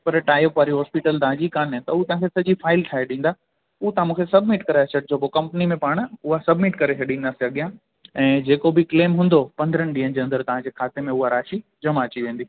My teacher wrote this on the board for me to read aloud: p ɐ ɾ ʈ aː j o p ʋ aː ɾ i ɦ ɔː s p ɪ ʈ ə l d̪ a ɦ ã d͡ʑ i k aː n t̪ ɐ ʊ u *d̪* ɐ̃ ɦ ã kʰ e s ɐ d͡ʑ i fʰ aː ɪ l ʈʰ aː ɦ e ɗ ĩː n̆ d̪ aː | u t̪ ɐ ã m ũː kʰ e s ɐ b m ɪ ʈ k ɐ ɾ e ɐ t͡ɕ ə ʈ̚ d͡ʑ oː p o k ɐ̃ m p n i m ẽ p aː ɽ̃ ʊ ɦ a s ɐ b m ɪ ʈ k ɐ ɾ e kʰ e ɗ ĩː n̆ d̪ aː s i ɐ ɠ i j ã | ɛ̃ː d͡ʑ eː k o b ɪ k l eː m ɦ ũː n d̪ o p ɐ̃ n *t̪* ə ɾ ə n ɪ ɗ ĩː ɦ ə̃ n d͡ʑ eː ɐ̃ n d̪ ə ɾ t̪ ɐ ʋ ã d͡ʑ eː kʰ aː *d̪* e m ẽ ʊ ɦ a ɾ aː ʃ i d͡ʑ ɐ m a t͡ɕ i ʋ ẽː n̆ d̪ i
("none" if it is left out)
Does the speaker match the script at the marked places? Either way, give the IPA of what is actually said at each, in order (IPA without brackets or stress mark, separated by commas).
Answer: t̪, d̪, t̪